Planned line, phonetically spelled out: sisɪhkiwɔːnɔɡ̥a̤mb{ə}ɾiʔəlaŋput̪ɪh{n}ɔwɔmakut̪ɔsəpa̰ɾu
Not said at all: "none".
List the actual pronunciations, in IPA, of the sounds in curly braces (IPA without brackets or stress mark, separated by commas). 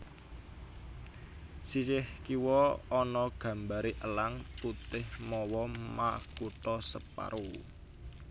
a, m